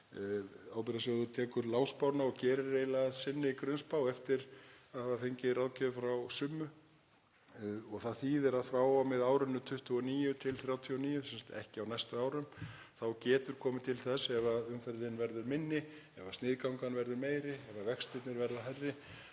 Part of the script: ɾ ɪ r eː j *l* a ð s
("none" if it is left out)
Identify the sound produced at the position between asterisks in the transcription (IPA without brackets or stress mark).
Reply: l